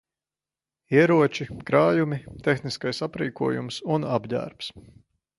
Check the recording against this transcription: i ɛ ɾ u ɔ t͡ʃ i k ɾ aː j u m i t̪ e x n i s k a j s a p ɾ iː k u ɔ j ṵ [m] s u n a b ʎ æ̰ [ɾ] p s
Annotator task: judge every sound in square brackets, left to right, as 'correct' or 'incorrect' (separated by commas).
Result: correct, correct